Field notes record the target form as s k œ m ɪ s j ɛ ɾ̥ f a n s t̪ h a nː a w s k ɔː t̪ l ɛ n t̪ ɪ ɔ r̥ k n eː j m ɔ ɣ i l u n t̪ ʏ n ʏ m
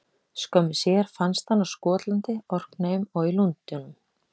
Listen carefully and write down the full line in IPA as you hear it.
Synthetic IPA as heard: s k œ m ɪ s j ɛ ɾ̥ f a n s t̪ h a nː a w s k ɔː t̪ l a n t̪ ɪ ɔ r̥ k n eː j m ɔ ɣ i l u n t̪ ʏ n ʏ m